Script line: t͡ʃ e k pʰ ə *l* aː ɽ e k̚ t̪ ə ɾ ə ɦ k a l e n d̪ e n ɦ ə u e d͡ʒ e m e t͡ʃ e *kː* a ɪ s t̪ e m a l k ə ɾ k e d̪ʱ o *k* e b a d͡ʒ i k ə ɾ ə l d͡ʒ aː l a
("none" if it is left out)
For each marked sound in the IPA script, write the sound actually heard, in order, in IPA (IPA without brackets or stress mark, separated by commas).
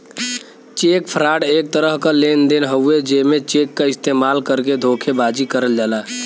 ɾ, kː, kʰ